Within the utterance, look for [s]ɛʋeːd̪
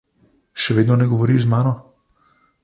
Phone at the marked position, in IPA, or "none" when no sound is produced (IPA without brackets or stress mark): ʃ